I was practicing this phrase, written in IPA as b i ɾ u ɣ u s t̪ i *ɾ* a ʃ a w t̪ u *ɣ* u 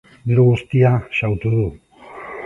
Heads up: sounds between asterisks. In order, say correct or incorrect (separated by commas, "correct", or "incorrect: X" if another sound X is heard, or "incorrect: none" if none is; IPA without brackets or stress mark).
incorrect: none, incorrect: ð